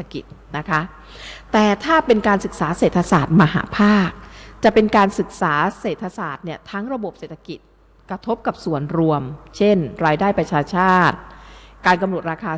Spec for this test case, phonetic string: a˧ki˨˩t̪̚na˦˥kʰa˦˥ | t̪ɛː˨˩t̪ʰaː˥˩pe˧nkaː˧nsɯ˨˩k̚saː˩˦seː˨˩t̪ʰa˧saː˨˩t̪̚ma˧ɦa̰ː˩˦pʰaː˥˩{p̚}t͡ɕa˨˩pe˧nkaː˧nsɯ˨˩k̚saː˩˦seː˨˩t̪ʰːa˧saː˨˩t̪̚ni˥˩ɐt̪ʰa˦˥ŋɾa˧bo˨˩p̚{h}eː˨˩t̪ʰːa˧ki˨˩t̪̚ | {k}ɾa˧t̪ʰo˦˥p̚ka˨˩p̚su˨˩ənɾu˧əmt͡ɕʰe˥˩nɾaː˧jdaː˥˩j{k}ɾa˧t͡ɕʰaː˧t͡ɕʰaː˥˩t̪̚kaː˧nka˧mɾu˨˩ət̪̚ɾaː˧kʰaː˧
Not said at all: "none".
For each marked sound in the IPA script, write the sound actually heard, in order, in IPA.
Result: k̚, s, k, p

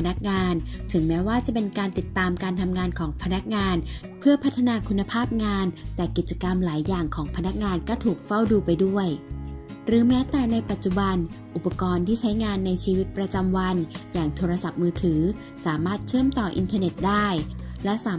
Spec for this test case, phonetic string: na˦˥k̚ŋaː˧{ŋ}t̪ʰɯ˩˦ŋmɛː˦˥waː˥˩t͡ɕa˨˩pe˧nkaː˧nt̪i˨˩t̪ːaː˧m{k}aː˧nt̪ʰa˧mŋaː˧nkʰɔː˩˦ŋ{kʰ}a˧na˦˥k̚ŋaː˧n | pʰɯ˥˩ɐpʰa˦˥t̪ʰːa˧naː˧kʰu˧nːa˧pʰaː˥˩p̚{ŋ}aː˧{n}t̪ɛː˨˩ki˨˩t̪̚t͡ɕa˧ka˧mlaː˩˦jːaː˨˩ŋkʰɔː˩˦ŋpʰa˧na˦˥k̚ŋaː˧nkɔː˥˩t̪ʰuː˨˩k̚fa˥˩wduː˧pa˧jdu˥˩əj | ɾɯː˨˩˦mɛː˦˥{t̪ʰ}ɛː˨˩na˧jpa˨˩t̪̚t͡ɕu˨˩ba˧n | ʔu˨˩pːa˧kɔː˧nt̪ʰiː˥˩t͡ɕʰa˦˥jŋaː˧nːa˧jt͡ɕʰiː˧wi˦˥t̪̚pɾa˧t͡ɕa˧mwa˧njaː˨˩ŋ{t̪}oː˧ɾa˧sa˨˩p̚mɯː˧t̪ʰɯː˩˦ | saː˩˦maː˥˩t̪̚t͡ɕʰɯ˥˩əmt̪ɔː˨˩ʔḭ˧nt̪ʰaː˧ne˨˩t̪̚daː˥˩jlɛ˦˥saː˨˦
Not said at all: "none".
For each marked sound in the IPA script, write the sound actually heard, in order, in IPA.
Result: n, k, pʰ, ŋ, n, t̪, t̪ʰ

